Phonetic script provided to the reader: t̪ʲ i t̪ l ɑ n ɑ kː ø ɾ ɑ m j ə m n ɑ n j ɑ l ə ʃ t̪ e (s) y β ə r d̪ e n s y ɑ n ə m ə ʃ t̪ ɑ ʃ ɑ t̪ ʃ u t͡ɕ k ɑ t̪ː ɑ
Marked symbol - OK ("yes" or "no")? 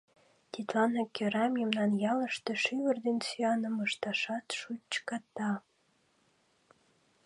no